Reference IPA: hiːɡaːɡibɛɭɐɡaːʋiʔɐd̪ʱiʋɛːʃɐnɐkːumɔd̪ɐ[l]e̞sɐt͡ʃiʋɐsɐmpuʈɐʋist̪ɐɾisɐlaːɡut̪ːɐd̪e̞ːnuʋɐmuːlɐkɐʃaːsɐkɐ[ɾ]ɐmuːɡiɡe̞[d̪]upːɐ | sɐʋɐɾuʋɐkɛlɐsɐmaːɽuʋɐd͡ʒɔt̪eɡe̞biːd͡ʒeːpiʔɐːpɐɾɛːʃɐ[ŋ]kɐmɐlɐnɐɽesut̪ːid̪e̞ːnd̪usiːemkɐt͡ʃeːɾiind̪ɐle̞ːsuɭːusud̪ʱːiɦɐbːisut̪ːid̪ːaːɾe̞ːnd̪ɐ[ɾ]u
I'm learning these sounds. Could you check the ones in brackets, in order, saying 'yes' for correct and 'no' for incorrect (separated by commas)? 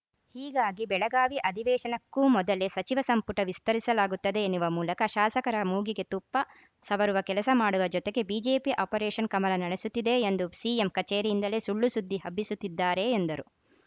yes, yes, no, no, yes